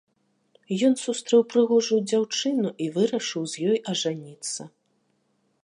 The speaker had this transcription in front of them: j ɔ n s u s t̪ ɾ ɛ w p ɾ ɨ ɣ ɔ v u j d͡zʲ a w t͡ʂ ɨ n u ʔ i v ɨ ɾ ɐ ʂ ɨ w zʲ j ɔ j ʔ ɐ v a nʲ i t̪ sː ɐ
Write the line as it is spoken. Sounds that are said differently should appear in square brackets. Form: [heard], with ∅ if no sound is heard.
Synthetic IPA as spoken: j ɔ n s u s t̪ ɾ ɛ w p ɾ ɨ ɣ ɔ [ʐ] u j d͡zʲ a w t͡ʂ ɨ n u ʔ i v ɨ ɾ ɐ ʂ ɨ w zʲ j ɔ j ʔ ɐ [ʐ] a nʲ i t̪ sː ɐ

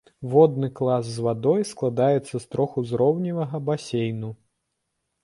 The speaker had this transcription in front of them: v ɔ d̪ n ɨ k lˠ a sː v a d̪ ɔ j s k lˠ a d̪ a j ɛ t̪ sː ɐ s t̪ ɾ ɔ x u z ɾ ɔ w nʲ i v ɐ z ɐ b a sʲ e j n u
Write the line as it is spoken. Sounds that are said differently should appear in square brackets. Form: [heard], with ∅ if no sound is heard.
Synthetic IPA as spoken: v ɔ d̪ n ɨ k lˠ a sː v a d̪ ɔ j s k lˠ a d̪ a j ɛ t̪ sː ɐ s t̪ ɾ ɔ x u z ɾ ɔ w nʲ i v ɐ [ɣ] ɐ b a sʲ e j n u

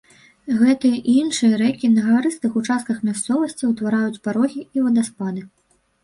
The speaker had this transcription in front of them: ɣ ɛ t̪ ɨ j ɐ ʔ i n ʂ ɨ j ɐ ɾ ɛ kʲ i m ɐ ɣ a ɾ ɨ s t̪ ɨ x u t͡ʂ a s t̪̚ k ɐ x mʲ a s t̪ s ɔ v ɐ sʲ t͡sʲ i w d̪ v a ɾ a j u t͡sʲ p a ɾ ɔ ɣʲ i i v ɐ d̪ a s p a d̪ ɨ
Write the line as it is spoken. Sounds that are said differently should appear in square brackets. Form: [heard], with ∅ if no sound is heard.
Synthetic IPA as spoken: ɣ ɛ t̪ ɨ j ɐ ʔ i n ʂ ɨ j ɐ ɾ ɛ kʲ i [n] ɐ ɣ a ɾ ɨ s t̪ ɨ x u t͡ʂ a s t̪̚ k ɐ x mʲ a s t̪ s ɔ v ɐ sʲ t͡sʲ i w [t̪] v a ɾ a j u t͡sʲ p a ɾ ɔ ɣʲ i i v ɐ d̪ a s p a d̪ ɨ

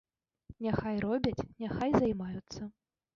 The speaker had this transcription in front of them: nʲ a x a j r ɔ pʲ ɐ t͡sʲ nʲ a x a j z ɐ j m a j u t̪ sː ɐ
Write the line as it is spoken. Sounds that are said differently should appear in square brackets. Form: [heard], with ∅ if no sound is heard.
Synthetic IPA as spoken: nʲ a x a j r ɔ [bʲ] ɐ t͡sʲ nʲ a x a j z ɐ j m a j u t̪ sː ɐ

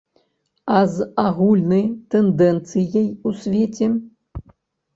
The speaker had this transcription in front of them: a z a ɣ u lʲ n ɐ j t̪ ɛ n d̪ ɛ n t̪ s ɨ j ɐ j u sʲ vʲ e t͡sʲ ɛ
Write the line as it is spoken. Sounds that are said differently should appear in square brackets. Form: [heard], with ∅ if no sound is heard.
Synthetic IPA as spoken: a z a ɣ u lʲ n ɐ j t̪ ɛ n d̪ ɛ n t̪ s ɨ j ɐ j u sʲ vʲ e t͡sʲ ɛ

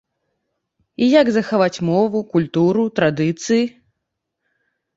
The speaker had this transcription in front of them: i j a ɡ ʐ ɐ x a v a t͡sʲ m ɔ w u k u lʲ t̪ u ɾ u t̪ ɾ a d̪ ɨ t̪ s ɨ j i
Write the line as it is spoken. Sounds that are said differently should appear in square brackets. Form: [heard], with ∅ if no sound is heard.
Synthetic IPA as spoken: i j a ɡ [z] ɐ x a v a t͡sʲ m ɔ [v] u k u lʲ t̪ u ɾ u t̪ ɾ a d̪ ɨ t̪ s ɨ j i

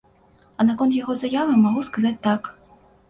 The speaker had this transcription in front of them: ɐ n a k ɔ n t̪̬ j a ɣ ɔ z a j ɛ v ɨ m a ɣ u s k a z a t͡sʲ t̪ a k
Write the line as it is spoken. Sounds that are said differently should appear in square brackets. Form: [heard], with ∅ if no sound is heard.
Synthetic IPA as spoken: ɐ n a k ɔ n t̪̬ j a ɣ ɔ z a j [a] v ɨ m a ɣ u s k a z a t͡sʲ t̪ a k

